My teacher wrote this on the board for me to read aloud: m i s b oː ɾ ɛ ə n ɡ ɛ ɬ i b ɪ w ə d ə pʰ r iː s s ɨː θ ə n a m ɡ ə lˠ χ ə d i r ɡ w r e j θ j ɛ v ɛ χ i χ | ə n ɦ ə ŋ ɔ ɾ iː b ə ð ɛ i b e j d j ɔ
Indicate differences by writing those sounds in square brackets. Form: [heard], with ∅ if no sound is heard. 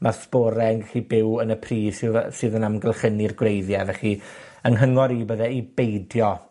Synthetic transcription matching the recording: m [a] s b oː ɾ ɛ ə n ɡ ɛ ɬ i b ɪ w ə [n] ə pʰ r iː s s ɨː [ð] ə n a m ɡ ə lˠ χ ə [n] i r ɡ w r e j [ð] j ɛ v ɛ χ i [∅] | ə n ɦ ə ŋ ɔ ɾ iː b ə ð ɛ i b e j d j ɔ